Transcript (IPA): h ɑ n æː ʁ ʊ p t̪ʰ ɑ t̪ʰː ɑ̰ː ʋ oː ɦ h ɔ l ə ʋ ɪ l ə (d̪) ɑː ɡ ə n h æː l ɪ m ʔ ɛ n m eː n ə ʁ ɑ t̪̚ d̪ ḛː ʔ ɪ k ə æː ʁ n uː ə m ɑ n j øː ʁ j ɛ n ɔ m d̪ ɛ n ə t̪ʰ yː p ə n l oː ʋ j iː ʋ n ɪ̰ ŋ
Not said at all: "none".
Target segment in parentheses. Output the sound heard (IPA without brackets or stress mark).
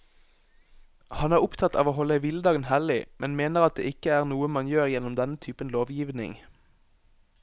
d̪